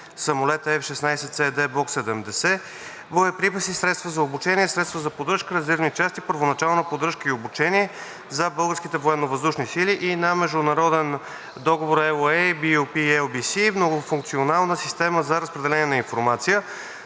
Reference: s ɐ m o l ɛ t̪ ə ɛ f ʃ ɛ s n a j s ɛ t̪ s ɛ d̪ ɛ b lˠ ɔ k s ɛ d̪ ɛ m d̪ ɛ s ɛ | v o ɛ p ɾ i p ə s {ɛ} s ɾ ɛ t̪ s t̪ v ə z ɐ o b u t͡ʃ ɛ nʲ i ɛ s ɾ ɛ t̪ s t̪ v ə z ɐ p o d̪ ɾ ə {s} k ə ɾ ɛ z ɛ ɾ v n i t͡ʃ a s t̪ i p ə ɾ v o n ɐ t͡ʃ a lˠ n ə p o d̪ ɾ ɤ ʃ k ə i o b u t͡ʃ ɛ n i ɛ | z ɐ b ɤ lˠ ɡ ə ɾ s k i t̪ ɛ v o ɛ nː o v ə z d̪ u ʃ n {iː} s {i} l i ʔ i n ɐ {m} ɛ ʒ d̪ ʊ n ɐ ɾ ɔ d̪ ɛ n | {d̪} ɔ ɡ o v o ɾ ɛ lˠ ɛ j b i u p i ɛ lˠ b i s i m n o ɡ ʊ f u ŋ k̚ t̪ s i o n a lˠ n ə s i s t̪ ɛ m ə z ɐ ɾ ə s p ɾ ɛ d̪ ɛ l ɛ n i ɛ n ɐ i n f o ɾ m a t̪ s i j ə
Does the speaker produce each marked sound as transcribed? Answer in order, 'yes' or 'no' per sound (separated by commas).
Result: no, no, no, yes, yes, yes